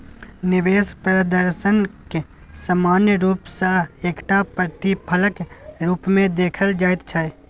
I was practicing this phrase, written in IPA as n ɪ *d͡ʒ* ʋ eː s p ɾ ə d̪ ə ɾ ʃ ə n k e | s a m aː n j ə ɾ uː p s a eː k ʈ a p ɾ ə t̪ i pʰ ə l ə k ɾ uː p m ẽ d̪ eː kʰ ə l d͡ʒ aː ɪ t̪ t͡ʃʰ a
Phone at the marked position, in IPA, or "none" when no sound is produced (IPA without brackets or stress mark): none